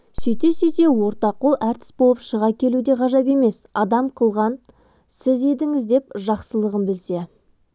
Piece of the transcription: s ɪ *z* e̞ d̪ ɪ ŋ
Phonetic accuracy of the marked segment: correct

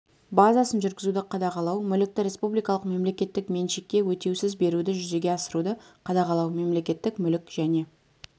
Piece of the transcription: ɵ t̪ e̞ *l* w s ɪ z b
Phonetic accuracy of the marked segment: incorrect: none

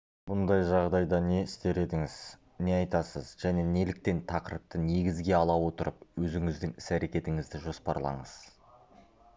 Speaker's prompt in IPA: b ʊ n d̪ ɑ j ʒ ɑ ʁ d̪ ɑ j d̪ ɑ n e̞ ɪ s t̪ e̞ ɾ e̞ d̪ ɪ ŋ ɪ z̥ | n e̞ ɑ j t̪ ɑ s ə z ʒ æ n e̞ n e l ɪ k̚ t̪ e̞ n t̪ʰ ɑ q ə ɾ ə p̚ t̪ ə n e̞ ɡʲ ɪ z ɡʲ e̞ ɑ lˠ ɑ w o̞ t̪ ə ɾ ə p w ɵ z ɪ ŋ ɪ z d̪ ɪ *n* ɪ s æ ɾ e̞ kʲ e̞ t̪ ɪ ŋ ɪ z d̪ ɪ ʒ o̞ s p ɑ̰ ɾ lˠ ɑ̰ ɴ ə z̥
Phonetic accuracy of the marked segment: incorrect: ŋ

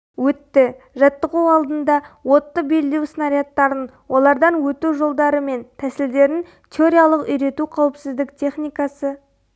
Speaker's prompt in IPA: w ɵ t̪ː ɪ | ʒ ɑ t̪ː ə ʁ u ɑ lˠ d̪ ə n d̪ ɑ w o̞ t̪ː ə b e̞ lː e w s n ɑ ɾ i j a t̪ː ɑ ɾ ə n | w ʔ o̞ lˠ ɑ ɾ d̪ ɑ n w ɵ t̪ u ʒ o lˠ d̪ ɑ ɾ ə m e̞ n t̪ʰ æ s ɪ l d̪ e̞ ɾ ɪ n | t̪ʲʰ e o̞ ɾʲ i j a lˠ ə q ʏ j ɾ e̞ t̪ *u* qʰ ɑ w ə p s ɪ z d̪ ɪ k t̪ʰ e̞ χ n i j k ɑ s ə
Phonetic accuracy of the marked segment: correct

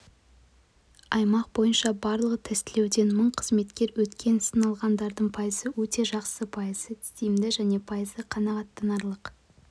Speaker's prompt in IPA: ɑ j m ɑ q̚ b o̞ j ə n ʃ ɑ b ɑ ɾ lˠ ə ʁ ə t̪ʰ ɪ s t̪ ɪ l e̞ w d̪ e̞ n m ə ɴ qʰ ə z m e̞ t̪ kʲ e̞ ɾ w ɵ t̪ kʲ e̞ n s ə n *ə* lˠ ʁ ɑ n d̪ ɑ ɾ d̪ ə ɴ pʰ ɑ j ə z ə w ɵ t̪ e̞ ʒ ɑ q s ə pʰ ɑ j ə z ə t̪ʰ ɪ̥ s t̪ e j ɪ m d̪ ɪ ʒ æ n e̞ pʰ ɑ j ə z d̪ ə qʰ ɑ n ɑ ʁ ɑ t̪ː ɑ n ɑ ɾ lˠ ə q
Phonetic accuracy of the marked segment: incorrect: ɑ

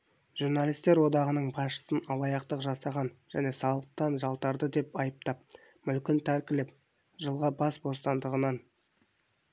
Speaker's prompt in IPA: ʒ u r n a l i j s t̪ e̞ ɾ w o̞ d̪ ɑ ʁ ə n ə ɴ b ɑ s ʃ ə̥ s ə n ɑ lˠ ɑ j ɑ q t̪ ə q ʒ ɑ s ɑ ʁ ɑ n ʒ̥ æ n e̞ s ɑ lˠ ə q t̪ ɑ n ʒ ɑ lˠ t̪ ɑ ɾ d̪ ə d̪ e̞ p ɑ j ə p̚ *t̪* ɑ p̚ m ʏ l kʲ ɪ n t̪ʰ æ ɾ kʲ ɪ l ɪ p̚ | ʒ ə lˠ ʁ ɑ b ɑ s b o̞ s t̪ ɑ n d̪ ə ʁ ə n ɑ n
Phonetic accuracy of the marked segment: correct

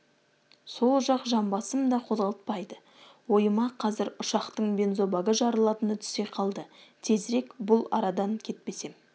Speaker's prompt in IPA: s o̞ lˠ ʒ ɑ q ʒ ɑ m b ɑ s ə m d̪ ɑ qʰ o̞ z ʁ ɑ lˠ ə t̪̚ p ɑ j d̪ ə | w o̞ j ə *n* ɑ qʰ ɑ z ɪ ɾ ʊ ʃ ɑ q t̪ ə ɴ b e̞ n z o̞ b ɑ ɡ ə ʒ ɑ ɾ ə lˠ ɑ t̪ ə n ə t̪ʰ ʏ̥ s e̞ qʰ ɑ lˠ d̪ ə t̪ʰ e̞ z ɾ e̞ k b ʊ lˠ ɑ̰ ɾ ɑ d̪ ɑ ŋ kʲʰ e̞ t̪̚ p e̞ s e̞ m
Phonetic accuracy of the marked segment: incorrect: m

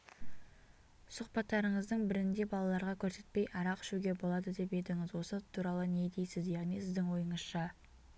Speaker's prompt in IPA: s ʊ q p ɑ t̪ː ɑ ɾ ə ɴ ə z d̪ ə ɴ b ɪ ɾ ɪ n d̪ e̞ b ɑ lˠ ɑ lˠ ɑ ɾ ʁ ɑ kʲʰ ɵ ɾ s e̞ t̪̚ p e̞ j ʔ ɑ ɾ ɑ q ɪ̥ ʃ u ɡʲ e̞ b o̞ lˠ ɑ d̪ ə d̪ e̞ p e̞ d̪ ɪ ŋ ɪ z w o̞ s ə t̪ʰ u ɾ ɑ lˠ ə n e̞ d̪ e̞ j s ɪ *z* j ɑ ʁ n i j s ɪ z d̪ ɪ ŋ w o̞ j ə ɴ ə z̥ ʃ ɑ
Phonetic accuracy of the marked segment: correct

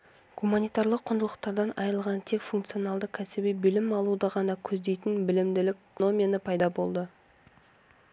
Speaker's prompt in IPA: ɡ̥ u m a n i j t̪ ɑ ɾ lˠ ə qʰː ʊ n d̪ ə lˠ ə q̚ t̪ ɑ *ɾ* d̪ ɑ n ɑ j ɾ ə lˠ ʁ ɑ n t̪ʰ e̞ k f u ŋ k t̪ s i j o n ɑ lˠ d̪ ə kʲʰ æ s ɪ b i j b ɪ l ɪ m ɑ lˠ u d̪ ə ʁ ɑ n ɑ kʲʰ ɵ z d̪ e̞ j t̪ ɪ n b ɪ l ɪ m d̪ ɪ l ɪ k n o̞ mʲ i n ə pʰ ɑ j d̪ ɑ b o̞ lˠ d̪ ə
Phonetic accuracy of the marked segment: correct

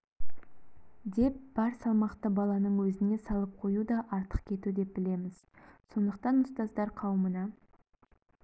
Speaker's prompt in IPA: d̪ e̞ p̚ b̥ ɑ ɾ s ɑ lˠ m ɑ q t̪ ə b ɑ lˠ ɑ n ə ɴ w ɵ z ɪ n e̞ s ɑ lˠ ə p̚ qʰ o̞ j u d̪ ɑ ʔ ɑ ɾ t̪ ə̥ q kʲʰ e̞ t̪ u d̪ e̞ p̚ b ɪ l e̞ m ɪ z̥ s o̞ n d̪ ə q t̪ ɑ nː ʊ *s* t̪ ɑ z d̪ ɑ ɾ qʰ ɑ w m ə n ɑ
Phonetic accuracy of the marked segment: correct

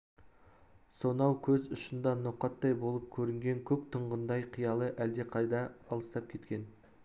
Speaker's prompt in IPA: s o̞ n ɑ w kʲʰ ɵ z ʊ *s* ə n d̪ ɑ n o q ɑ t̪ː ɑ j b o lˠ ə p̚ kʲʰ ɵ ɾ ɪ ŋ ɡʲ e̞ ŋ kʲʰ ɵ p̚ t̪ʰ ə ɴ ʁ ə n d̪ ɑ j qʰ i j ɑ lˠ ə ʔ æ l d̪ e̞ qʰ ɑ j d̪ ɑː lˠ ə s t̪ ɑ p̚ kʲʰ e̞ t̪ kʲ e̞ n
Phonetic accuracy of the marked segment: incorrect: ʃ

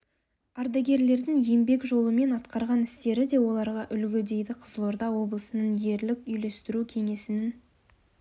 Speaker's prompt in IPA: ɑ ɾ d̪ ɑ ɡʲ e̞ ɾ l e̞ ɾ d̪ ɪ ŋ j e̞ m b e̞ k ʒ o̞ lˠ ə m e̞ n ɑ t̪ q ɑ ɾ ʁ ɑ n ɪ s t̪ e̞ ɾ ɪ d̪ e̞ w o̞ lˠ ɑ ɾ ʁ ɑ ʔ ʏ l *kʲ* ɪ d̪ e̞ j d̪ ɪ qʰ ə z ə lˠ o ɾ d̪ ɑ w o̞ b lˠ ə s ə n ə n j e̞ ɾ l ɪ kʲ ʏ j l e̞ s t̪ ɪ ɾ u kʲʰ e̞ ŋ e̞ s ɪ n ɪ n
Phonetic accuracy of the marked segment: incorrect: ɡʲ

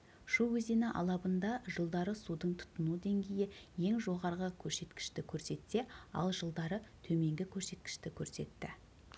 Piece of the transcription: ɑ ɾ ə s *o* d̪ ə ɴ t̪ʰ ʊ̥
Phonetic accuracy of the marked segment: incorrect: u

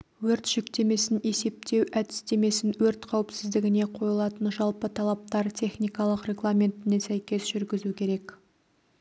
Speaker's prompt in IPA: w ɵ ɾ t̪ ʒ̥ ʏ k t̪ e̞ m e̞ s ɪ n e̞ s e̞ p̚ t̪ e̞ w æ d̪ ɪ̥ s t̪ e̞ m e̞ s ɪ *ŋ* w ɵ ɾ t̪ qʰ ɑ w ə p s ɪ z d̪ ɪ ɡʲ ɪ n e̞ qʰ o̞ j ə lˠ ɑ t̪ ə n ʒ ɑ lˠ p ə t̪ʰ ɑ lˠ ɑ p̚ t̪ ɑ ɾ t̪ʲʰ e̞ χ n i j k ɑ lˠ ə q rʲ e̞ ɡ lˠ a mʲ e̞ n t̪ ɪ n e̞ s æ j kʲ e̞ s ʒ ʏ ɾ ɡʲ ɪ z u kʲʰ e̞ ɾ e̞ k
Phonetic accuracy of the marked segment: incorrect: n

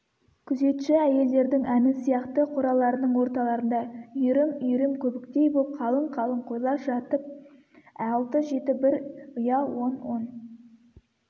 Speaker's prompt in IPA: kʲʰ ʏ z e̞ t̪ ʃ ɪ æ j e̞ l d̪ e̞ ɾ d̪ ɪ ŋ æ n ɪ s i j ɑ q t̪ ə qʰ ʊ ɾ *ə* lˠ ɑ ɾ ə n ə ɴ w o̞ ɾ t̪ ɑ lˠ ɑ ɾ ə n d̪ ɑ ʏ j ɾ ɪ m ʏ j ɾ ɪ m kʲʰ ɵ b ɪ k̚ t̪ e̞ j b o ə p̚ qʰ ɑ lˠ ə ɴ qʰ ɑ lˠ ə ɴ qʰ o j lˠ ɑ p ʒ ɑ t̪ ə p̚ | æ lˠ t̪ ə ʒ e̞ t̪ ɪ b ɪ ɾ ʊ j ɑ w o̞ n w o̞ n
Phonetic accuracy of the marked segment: incorrect: ɑ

